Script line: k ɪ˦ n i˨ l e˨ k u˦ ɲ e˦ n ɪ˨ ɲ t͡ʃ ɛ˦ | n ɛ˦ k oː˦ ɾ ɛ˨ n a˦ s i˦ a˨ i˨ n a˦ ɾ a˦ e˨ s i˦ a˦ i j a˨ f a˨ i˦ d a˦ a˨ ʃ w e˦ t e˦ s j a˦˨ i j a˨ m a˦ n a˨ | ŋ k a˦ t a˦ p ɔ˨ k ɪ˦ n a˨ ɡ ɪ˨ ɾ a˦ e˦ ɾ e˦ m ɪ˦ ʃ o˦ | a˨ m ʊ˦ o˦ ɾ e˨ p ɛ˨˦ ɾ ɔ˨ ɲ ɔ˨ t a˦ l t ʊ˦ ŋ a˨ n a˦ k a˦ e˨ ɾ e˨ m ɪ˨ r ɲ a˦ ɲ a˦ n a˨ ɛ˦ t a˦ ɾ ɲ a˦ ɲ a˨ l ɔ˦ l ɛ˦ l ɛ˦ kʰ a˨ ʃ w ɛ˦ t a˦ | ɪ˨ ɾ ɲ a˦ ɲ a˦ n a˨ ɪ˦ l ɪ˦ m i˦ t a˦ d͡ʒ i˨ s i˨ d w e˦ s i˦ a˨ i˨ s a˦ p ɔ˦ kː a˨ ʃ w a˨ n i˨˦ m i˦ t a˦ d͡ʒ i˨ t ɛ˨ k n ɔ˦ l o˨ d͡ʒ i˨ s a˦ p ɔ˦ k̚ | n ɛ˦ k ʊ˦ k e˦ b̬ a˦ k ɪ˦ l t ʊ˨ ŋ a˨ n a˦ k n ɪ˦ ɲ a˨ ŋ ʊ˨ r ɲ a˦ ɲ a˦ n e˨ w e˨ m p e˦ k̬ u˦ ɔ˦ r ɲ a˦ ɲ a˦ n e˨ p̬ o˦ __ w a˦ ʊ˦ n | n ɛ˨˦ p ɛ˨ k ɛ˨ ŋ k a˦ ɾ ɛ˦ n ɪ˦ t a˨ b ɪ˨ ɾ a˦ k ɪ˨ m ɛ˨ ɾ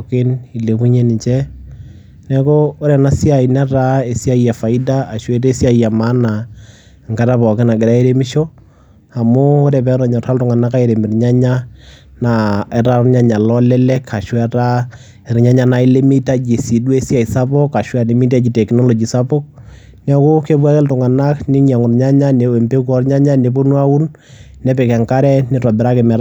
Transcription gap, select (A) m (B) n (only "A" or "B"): B